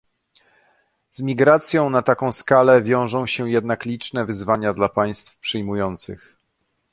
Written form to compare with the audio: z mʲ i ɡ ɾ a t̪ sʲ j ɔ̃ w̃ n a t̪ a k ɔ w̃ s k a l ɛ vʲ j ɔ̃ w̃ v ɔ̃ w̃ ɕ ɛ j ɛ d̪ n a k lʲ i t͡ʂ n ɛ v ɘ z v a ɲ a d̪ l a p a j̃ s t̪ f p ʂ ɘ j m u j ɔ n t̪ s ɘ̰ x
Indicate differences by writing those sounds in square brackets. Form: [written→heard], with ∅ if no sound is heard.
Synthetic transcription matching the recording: z mʲ i ɡ ɾ a t̪ sʲ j ɔ̃ w̃ n a t̪ a k [ɔ→ɔ̃] w̃ s k a l ɛ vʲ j ɔ̃ w̃ [v→ʐ] ɔ̃ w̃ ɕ ɛ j ɛ d̪ n a k lʲ i t͡ʂ n ɛ v ɘ z v a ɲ a d̪ l a p a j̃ s t̪ f p ʂ ɘ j m u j ɔ n t̪ s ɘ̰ x

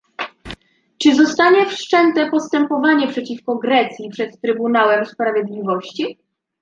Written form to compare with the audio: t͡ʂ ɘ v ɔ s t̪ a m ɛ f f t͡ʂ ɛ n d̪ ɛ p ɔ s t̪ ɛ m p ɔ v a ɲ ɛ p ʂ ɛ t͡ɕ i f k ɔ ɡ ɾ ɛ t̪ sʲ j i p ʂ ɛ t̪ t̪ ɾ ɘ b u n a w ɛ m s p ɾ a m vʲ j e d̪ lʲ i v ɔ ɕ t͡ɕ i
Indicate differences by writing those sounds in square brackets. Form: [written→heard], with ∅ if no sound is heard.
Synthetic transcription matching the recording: t͡ʂ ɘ [v→z] ɔ s t̪ a [m→ɲ] ɛ f [f→ʂ] t͡ʂ ɛ n [d̪→t̪] ɛ p ɔ s t̪ ɛ m p ɔ v a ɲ ɛ p ʂ ɛ t͡ɕ i f k ɔ ɡ ɾ ɛ t̪ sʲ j i p ʂ ɛ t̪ t̪ ɾ ɘ b u n a w ɛ m s p ɾ a [m→∅] vʲ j e d̪ lʲ i v ɔ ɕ t͡ɕ i

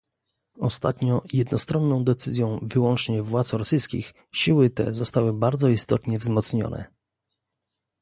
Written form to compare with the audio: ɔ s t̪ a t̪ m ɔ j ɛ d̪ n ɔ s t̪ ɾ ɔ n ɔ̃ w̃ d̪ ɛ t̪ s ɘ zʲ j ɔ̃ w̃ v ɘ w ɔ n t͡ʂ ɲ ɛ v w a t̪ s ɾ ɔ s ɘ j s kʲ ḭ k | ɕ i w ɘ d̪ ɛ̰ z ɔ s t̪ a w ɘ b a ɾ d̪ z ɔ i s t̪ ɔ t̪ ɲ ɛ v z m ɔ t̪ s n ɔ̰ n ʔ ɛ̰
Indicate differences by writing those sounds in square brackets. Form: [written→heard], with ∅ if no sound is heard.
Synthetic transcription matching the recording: ɔ s t̪ a t̪ [m→ɲ] ɔ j ɛ d̪ n ɔ s t̪ ɾ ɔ [n→nː] ɔ̃ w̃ d̪ ɛ t̪ s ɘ zʲ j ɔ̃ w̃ v ɘ w ɔ n t͡ʂ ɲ ɛ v w a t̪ s ɾ ɔ s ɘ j s kʲ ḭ [k→x] | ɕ i w ɘ [d̪→t̪] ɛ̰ z ɔ s t̪ a w ɘ b a ɾ d̪ z ɔ i s t̪ ɔ t̪ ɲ ɛ v z m ɔ t̪ s [n→ɲ] ɔ̰ n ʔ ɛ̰

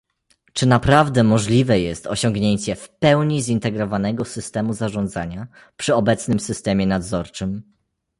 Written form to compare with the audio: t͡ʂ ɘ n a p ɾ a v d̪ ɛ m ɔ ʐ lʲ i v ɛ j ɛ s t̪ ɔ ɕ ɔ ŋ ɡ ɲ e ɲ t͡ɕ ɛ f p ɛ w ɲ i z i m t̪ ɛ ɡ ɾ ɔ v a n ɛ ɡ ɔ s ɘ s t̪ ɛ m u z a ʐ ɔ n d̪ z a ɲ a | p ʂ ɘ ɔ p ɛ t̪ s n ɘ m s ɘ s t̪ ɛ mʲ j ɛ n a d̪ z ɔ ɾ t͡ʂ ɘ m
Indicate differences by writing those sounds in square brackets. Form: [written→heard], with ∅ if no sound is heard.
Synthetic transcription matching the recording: t͡ʂ ɘ n a p ɾ a v d̪ ɛ m ɔ ʐ lʲ i v ɛ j ɛ s t̪ ɔ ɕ ɔ ŋ ɡ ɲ e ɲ t͡ɕ ɛ f p ɛ w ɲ i z i [m→n] t̪ ɛ ɡ ɾ ɔ v a n ɛ ɡ ɔ s ɘ s t̪ ɛ m u z a ʐ ɔ n d̪ z a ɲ a | p ʂ ɘ ɔ [p→b] ɛ t̪ s n ɘ m s ɘ s t̪ ɛ mʲ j ɛ n a d̪ z ɔ ɾ t͡ʂ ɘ m

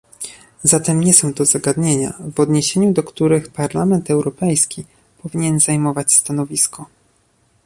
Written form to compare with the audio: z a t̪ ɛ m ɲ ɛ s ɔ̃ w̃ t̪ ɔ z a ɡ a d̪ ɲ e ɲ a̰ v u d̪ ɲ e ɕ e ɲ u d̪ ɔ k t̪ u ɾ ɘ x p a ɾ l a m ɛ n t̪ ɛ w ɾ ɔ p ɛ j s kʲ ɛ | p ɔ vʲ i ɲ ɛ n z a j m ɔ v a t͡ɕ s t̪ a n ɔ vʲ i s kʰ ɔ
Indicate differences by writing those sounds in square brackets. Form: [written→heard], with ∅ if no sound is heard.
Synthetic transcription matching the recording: z a t̪ ɛ m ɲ ɛ s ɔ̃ w̃ t̪ ɔ z a ɡ a d̪ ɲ e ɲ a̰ v [u→ɔ] d̪ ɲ e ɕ e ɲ u d̪ ɔ k t̪ u ɾ ɘ x p a ɾ l a m ɛ n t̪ ɛ w ɾ ɔ p ɛ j s kʲ [ɛ→i] | p ɔ vʲ i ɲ ɛ n z a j m ɔ v a t͡ɕ s t̪ a n ɔ vʲ i s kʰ ɔ

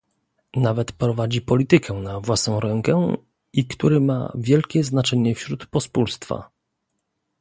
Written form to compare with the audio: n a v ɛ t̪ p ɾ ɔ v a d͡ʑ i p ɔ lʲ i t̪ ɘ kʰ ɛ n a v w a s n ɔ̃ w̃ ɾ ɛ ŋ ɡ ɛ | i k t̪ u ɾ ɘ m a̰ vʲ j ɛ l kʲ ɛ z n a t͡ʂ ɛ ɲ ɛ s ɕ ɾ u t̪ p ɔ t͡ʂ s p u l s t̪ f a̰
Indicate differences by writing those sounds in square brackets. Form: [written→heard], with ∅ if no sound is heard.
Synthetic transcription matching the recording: n a v ɛ t̪ p ɾ ɔ v a d͡ʑ i p ɔ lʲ i t̪ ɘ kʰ ɛ n a v w a s n ɔ̃ w̃ ɾ ɛ ŋ [ɡ→k] ɛ | i k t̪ u ɾ ɘ m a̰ vʲ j ɛ l kʲ ɛ z n a t͡ʂ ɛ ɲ ɛ [s→f] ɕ ɾ u t̪ p ɔ [t͡ʂ→∅] s p u l s t̪ f a̰

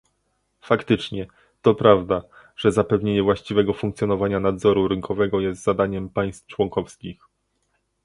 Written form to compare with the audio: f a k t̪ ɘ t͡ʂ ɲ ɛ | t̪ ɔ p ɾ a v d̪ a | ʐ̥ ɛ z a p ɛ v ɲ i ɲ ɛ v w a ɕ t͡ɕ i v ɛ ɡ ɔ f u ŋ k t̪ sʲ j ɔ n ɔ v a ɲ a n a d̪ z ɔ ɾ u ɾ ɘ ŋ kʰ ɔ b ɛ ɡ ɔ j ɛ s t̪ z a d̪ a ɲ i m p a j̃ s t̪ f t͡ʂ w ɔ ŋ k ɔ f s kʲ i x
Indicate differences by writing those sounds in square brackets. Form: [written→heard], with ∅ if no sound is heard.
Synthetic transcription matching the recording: f a k t̪ ɘ t͡ʂ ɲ ɛ | t̪ ɔ p ɾ a v d̪ a | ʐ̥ ɛ z a p ɛ v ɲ [i→e] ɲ ɛ v w a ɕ t͡ɕ i v ɛ ɡ ɔ f u ŋ k t̪ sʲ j ɔ n ɔ v a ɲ a n a d̪ z ɔ ɾ u ɾ ɘ ŋ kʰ ɔ [b→v] ɛ ɡ ɔ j ɛ s t̪ z a d̪ a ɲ [i→ɛ] m p a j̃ s t̪ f t͡ʂ w ɔ ŋ k ɔ f s kʲ i x

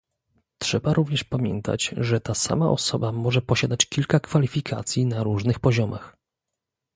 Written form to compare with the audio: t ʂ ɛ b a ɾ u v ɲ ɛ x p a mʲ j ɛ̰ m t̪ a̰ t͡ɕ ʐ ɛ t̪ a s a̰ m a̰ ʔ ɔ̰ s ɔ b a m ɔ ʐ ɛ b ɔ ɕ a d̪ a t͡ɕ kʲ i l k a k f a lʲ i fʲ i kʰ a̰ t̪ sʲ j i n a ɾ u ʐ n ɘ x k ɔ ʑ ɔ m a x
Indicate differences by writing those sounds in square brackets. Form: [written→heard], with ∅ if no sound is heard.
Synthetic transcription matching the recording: t ʂ ɛ b a ɾ u v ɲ ɛ [x→ʂ] p a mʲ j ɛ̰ [m→n] t̪ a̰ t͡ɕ ʐ ɛ t̪ a s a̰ m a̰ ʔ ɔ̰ s ɔ b a m ɔ ʐ ɛ [b→p] ɔ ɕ a d̪ a t͡ɕ kʲ i l k a k f a lʲ i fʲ i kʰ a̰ t̪ sʲ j i n a ɾ u ʐ n ɘ x [k→p] ɔ ʑ ɔ m a x

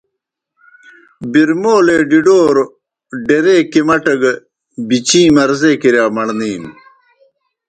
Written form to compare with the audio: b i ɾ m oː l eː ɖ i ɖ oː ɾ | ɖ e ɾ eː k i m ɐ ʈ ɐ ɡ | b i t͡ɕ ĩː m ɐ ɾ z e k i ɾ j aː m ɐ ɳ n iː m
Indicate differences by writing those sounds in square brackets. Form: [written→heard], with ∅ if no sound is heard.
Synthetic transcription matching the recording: b i ɾ m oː l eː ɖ i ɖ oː ɾ | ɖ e ɾ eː k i m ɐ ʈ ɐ ɡ | b i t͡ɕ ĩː m ɐ ɾ z e k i ɾ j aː m ɐ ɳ n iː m

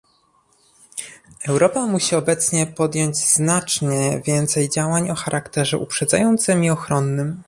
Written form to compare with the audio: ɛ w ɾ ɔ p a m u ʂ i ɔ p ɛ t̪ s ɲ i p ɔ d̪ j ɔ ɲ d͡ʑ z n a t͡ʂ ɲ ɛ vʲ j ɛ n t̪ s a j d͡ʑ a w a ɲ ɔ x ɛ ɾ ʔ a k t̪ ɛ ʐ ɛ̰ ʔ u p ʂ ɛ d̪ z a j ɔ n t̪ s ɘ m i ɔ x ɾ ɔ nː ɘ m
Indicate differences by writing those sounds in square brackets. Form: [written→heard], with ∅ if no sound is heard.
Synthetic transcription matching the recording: ɛ w ɾ ɔ p a m u [ʂ→ɕ] i ɔ [p→b] ɛ t̪ s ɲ [i→ɛ] p ɔ d̪ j ɔ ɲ d͡ʑ z n a t͡ʂ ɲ ɛ vʲ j ɛ n t̪ s [a→ɛ] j d͡ʑ a w a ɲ ɔ x [ɛ→a] ɾ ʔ a k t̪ ɛ ʐ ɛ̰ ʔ u p ʂ ɛ d̪ z a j ɔ n t̪ s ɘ m i ɔ x ɾ ɔ nː ɘ m

